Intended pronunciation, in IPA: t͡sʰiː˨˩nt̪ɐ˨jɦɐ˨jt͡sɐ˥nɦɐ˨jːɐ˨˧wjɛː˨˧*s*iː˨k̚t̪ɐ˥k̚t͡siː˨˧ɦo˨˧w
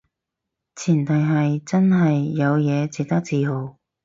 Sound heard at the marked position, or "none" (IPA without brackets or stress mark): t͡s